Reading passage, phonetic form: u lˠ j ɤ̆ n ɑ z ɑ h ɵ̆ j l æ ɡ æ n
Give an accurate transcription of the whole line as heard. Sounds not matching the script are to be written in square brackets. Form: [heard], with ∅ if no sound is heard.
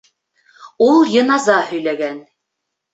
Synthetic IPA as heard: u lˠ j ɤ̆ n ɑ z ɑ h ɵ̆ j l æ ɡ æ n